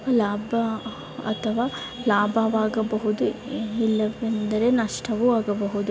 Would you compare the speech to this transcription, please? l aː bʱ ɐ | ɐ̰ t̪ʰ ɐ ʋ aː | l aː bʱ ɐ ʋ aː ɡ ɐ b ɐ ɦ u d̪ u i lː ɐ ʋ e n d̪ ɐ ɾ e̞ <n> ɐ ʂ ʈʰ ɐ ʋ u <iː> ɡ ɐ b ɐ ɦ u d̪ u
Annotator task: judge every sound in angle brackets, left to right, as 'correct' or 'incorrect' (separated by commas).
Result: correct, incorrect